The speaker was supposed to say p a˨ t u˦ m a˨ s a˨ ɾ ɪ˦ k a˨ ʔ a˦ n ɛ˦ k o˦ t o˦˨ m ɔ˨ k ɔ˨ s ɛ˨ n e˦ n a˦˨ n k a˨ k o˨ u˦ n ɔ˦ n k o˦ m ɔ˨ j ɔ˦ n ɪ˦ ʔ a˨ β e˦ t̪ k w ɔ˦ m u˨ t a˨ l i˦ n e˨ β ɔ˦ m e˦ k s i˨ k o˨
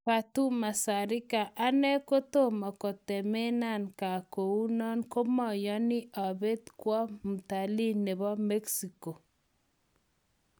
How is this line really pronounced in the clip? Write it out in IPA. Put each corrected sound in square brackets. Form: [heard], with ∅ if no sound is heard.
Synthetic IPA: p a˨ t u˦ m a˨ s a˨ ɾ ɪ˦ k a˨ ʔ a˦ n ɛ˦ k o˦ t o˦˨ m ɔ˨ k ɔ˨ [t] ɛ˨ [m] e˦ n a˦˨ n k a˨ k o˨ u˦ n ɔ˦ n k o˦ m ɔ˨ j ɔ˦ n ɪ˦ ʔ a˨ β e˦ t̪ k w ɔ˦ m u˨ t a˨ l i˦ n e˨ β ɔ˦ m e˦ k s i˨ k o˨